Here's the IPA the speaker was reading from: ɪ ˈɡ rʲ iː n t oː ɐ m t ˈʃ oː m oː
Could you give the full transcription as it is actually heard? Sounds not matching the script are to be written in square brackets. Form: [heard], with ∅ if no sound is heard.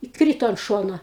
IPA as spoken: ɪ [ˈk] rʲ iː [∅] t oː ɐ [n] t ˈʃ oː [n] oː